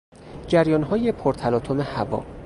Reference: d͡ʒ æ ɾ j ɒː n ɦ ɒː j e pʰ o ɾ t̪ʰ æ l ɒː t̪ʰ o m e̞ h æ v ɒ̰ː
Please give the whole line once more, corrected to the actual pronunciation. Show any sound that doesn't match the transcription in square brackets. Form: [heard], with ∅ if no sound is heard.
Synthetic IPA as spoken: d͡ʒ æ ɾ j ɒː n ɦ ɒː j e pʰ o ɾ t̪ʰ æ l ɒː t̪ʰ o m e̞ h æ v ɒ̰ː